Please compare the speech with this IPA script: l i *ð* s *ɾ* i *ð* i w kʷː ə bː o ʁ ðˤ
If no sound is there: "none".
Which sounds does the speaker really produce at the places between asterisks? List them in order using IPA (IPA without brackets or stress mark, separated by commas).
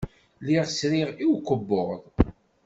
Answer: ʁ, ɾ, ʁ